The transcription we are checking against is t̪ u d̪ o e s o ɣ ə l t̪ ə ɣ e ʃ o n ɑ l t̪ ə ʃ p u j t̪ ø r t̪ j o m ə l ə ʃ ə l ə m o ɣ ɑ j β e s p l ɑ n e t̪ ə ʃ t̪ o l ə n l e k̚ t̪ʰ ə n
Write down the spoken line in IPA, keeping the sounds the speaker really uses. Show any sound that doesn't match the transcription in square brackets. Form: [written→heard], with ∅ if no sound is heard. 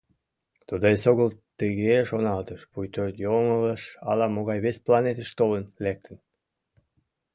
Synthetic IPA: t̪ u d̪ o e s o ɣ ə l t̪ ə ɣ e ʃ o n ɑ l t̪ ə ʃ p u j t̪ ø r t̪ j o m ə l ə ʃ [ə→ɑ] l [ə→ɑ] m o ɣ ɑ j β e s p l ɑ n e t̪ ə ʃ t̪ o l ə n l e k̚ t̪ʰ ə n